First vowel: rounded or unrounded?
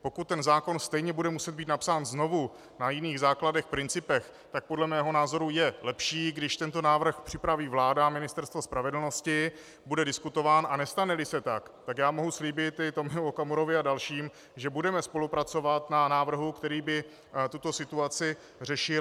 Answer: rounded